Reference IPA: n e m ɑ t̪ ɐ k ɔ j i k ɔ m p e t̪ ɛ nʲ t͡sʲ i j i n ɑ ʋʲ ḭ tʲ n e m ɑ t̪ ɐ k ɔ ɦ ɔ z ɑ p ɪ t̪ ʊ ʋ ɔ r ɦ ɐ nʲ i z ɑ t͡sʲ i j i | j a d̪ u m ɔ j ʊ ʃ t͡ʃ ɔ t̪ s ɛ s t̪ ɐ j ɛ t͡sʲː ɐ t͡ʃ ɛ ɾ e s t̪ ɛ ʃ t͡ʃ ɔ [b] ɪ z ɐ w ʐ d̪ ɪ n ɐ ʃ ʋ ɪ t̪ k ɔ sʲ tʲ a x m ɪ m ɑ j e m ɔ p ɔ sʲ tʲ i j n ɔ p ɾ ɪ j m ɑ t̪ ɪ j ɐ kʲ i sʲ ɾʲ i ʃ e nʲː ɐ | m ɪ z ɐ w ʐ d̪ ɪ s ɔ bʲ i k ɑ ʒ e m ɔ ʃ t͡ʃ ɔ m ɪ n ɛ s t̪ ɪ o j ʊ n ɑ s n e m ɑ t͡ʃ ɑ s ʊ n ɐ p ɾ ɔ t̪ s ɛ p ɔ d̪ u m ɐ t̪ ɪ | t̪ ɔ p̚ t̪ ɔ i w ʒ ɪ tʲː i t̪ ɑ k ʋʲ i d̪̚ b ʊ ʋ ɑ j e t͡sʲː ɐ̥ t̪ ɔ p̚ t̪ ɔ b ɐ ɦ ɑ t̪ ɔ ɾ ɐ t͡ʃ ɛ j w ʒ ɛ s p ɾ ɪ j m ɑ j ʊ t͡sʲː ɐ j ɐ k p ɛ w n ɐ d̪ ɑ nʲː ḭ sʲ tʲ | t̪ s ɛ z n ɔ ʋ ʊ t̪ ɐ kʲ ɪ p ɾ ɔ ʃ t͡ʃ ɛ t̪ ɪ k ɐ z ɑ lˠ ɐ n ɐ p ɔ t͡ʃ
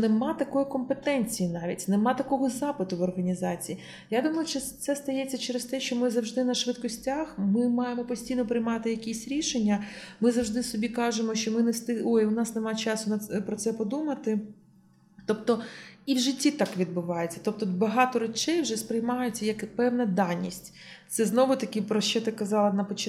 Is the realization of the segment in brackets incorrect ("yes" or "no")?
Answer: yes